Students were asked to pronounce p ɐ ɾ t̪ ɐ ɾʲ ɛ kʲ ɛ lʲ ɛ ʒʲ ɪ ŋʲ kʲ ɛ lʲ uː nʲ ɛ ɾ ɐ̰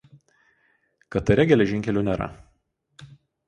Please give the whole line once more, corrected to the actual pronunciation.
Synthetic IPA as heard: k ɐ t̪ ɐ ɾʲ ɛ ɡʲ ɛ lʲ ɛ ʒʲ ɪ ŋʲ kʲ ɛ lʲ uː nʲ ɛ ɾ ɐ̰